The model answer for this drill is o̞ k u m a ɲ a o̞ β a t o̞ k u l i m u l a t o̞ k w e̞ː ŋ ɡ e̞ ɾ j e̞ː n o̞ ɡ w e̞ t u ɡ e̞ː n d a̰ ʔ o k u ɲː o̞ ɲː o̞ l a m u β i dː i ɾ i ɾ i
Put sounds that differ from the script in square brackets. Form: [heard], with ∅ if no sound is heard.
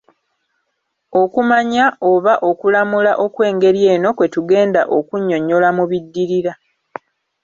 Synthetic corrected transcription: o̞ k u m a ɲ a o̞ β a [ʔ] o̞ k u l [a] m u l a [ʔ] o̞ k w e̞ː ŋ ɡ e̞ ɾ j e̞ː n o̞ [k] w e̞ t u ɡ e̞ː n d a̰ ʔ o k u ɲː o̞ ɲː o̞ l a m u β i dː i ɾ i ɾ [a]